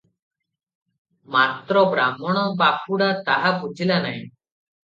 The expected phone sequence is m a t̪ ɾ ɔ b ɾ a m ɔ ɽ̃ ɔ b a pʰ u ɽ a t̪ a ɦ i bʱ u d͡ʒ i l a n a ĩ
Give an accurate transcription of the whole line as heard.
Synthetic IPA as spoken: m a t̪ ɾ ɔ b ɾ a m ɔ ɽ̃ ɔ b a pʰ u ɽ a t̪ a ɦ a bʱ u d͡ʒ i l a n a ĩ